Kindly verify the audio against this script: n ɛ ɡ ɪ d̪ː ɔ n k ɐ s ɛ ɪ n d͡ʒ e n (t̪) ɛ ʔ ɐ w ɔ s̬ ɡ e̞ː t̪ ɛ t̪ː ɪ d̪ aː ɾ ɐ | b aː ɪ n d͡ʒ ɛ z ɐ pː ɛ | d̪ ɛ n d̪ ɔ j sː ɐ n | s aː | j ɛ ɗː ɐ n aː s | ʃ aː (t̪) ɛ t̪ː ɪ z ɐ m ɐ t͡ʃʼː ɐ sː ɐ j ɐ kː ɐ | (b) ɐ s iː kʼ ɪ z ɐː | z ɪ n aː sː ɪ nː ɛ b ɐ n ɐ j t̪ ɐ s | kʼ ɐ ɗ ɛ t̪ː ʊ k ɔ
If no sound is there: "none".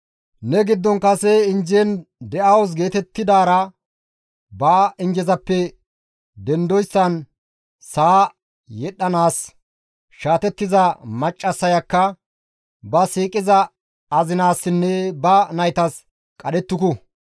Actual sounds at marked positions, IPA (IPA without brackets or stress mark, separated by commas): d̪, t̪, b